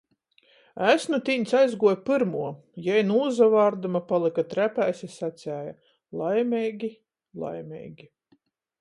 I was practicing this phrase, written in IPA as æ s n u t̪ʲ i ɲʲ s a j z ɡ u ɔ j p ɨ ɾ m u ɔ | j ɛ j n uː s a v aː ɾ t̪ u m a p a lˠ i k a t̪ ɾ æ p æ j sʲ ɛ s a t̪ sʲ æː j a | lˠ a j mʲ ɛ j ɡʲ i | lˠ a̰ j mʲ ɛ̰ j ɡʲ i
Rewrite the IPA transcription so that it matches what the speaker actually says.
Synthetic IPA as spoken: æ s n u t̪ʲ i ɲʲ s a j z ɡ u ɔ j p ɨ ɾ m u ɔ | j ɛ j n uː z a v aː ɾ d̪ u m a p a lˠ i k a t̪ ɾ æ p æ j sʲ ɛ s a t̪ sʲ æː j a | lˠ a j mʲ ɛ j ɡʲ i | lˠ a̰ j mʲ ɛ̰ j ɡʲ i